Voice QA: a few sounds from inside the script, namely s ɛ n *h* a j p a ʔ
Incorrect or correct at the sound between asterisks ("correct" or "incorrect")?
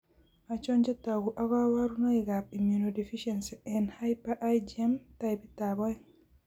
correct